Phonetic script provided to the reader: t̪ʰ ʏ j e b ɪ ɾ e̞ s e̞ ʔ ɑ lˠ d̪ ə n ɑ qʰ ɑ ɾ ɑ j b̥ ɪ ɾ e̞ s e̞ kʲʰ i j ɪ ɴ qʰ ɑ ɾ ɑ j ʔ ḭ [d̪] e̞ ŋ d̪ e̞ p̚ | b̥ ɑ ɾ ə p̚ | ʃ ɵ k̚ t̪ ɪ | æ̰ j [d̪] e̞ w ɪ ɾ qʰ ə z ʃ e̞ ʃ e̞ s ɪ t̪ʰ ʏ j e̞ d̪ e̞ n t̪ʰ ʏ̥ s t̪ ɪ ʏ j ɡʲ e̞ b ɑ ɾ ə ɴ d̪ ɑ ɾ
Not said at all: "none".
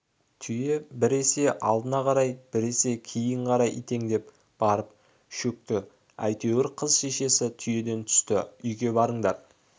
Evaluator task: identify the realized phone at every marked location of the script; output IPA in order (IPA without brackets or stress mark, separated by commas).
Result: t̪, t̪